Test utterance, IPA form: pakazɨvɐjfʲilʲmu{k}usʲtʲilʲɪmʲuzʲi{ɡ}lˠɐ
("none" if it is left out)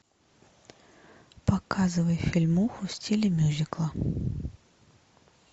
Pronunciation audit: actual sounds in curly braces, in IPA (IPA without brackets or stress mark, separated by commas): x, k